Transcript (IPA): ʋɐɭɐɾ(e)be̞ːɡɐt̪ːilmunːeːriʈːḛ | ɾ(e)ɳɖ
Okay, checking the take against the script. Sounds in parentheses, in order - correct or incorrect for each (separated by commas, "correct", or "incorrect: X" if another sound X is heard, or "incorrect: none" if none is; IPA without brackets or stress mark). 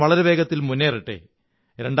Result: correct, correct